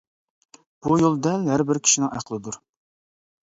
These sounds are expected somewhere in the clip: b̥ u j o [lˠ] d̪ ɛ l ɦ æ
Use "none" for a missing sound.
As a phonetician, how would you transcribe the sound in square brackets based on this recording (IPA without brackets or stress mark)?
lˠ